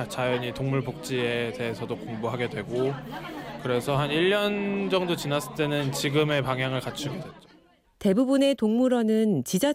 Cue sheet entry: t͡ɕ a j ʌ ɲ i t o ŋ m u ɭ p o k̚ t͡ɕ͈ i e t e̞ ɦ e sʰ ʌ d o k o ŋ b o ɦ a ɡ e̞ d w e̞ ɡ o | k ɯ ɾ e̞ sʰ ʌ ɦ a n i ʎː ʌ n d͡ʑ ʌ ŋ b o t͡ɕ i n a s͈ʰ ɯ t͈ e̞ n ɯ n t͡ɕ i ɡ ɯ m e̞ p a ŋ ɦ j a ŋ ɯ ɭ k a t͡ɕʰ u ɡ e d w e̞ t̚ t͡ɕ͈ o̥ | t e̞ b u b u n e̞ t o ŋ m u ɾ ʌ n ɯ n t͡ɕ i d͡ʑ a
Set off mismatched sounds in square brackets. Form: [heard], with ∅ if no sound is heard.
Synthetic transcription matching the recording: t͡ɕ a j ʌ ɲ i t o ŋ m u ɭ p o k̚ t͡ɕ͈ i e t e̞ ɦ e sʰ ʌ d o k o ŋ b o ɦ a ɡ e̞ d w e̞ ɡ o | k ɯ ɾ e̞ sʰ ʌ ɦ a n i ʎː ʌ n d͡ʑ ʌ ŋ [d] o t͡ɕ i n a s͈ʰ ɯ t͈ e̞ n ɯ n t͡ɕ i ɡ ɯ m e̞ p a ŋ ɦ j a ŋ ɯ ɭ k a t͡ɕʰ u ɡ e d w e̞ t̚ t͡ɕ͈ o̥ | t e̞ b u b u n e̞ t o ŋ m u ɾ ʌ n ɯ n t͡ɕ i d͡ʑ a